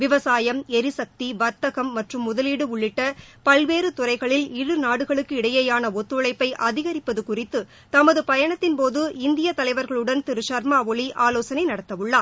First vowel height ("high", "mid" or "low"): high